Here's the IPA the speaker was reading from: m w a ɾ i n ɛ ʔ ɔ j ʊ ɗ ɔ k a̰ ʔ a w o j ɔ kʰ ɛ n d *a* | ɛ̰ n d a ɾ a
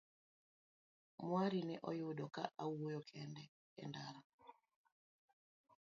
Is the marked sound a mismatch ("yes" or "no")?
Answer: yes